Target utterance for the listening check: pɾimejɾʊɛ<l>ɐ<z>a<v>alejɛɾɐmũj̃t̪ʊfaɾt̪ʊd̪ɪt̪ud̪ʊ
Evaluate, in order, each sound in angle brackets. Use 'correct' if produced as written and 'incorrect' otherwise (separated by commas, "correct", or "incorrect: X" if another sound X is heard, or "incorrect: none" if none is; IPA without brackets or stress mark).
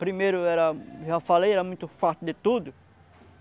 incorrect: ɾ, incorrect: ʒ, incorrect: f